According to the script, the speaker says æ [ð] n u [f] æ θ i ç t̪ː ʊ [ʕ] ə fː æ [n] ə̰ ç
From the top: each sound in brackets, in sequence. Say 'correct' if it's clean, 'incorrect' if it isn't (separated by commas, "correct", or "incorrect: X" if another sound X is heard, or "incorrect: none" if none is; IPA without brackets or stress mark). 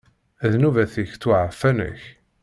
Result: correct, incorrect: v, correct, correct